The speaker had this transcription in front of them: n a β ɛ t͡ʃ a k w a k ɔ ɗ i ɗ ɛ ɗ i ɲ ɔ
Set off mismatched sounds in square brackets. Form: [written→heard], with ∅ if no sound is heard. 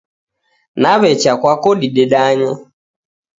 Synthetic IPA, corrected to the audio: n a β ɛ t͡ʃ a k w a k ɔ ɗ i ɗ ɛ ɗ [i→a] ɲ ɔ